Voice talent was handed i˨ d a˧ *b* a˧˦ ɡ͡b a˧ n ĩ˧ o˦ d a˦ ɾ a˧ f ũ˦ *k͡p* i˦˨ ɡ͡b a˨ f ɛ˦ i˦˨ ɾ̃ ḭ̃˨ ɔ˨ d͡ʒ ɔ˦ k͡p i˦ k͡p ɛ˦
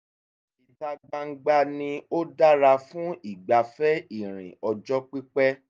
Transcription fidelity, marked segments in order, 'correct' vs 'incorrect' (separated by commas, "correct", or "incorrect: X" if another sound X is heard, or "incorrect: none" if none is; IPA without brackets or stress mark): incorrect: ɡ͡b, incorrect: none